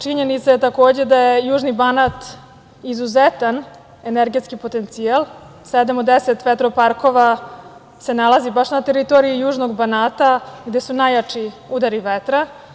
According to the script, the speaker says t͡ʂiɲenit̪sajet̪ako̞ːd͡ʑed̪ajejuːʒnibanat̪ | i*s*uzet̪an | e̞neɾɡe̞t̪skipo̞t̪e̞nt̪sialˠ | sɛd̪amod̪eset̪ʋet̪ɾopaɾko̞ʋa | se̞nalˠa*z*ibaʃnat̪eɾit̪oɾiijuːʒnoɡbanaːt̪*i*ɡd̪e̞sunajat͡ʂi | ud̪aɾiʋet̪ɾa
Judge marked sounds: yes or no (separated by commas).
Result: no, yes, no